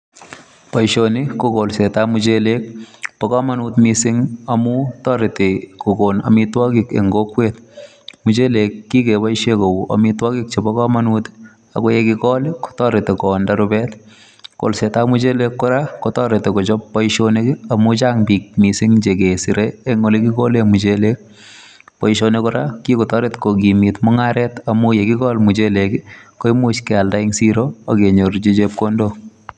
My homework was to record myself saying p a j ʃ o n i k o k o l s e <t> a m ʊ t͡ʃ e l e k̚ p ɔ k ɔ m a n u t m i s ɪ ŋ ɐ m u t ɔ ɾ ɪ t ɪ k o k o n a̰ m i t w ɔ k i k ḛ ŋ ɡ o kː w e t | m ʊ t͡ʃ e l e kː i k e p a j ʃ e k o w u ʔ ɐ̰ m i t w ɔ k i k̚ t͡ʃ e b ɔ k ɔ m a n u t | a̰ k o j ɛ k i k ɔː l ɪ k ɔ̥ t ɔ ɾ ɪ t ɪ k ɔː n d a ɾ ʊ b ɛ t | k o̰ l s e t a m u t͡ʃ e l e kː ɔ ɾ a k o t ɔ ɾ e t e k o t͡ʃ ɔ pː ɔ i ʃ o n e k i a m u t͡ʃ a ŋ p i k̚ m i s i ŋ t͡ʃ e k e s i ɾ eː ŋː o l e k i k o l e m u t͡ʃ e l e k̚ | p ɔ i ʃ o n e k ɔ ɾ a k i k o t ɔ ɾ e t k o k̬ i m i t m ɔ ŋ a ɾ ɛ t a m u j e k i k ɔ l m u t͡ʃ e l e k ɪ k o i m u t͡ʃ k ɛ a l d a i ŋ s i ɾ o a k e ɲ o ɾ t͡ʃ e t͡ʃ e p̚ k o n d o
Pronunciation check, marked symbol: correct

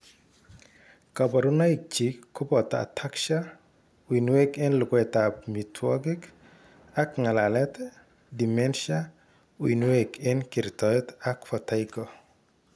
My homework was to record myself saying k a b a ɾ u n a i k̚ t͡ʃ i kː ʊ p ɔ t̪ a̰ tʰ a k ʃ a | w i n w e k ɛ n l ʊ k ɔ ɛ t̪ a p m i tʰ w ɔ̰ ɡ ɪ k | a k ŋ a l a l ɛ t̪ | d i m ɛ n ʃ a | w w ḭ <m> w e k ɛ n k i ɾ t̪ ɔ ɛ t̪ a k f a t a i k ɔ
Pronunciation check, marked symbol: incorrect: n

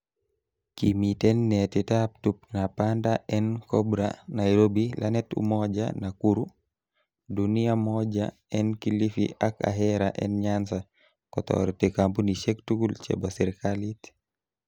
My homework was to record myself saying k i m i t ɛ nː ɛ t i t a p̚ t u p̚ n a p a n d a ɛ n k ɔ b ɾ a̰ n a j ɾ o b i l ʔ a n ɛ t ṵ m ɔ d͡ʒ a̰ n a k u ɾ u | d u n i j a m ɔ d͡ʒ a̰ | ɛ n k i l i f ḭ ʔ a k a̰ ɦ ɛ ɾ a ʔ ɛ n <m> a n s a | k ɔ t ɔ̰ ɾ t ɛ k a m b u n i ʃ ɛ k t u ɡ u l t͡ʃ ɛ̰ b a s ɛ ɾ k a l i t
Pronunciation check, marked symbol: incorrect: ɲ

